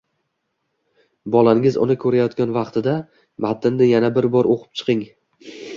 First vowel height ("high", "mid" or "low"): low